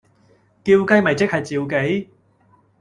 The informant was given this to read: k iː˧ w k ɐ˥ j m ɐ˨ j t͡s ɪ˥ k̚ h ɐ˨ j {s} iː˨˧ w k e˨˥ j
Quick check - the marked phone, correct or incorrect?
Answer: incorrect: t͡s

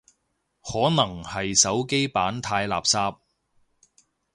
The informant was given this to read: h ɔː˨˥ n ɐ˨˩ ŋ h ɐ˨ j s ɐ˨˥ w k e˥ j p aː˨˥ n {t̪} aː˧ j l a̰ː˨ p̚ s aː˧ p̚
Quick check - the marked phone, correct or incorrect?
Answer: incorrect: t̪ʰ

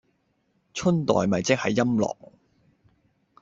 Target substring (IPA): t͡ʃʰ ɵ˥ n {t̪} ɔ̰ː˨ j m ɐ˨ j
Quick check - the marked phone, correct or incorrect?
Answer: correct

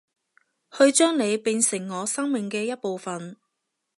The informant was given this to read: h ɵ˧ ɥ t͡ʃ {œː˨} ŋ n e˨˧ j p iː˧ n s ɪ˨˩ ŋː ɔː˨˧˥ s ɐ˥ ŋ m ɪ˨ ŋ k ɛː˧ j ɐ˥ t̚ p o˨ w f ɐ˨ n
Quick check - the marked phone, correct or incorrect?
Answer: incorrect: œː˥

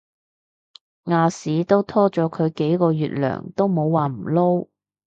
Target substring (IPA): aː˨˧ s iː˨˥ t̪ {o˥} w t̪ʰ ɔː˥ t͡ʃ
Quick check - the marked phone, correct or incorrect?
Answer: correct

